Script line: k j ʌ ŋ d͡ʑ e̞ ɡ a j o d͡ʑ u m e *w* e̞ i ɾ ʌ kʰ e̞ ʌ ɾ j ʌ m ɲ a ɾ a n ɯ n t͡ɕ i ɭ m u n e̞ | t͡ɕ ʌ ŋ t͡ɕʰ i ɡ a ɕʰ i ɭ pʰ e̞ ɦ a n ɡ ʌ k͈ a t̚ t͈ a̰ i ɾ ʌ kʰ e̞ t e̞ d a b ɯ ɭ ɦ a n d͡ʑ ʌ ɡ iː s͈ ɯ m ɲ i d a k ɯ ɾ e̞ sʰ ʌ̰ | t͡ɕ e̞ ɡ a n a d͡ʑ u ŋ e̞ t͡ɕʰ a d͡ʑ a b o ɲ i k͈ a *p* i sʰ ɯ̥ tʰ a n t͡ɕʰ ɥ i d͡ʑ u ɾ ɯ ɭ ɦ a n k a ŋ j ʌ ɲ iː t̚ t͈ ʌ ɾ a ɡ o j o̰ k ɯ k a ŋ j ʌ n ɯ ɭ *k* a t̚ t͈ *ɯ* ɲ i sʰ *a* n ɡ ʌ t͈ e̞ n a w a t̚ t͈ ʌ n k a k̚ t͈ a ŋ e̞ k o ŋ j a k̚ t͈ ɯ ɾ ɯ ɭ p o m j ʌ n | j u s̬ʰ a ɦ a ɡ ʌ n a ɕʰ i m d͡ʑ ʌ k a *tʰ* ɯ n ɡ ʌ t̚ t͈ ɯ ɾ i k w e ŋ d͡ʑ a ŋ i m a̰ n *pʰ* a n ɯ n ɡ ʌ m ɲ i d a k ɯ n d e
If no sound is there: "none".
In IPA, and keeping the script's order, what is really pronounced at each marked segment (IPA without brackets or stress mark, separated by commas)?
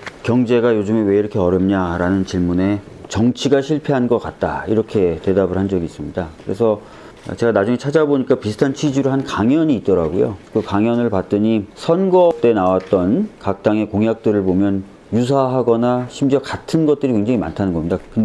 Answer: w, p, p, ɯ, ʌ, tʰ, tʰ